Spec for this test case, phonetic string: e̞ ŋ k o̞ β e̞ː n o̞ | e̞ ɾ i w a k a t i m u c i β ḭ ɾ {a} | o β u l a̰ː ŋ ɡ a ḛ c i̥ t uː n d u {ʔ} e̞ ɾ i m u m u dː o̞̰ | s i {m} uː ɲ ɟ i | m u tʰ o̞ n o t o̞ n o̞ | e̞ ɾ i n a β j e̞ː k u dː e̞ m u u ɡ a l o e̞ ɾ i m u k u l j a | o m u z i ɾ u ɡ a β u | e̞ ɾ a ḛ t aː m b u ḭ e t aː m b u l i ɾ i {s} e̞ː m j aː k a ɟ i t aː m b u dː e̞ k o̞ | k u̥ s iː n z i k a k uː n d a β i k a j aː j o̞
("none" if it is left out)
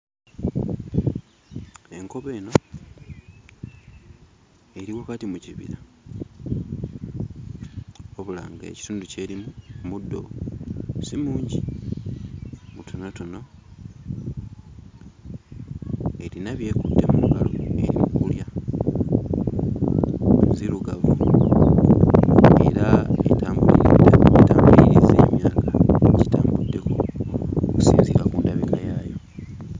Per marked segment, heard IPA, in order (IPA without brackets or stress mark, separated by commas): a, c, m, z